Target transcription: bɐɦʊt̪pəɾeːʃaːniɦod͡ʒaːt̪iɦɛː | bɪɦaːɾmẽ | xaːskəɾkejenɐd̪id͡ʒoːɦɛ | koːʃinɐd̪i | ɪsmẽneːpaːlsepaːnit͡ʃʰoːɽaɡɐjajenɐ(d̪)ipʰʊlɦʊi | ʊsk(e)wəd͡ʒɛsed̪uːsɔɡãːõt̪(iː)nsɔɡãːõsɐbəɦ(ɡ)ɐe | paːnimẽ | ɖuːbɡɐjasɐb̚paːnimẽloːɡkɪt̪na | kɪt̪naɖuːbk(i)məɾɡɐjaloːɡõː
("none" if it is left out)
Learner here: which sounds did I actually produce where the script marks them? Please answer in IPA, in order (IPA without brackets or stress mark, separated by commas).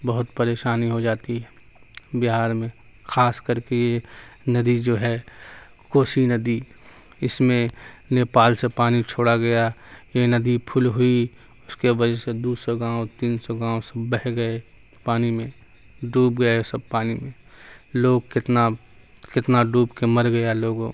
d̪, e, iː, ɡ, e